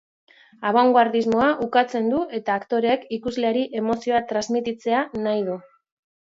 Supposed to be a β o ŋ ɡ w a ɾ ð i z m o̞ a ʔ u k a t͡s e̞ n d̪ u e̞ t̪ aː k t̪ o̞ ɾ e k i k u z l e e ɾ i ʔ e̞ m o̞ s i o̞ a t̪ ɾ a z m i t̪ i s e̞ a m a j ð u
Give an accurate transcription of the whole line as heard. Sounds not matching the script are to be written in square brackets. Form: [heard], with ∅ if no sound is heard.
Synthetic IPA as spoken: a β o ŋ ɡ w a ɾ ð i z m o̞ a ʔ u k a t͡s e̞ n d̪ u e̞ t̪ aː k t̪ o̞ ɾ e k i k u z l e [a] ɾ i ʔ e̞ m o̞ s i o̞ a t̪ ɾ a z m i t̪ i [t͡s] e̞ a [n] a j ð u